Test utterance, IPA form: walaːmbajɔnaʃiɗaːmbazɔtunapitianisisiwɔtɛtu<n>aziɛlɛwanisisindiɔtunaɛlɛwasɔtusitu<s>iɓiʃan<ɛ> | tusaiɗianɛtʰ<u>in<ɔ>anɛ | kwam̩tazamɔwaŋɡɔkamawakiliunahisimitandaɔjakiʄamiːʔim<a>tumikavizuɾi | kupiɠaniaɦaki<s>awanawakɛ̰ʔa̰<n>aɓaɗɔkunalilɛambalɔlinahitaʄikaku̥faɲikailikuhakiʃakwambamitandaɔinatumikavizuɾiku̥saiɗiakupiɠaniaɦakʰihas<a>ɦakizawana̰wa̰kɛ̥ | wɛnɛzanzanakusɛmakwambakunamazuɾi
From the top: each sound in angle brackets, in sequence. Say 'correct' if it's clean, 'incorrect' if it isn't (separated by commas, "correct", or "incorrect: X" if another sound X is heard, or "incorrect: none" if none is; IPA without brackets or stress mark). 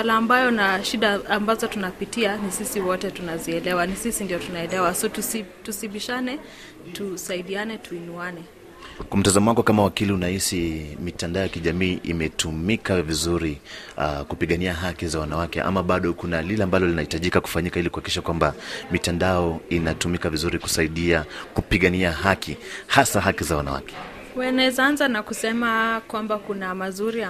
correct, correct, correct, correct, incorrect: u, incorrect: ɛ, incorrect: z, incorrect: m, correct